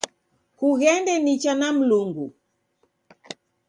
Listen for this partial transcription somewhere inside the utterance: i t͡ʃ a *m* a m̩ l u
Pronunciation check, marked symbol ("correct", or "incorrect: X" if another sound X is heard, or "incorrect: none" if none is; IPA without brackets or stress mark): incorrect: n